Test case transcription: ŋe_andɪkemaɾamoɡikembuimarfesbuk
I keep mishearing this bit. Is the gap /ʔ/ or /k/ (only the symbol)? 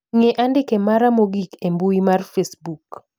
ʔ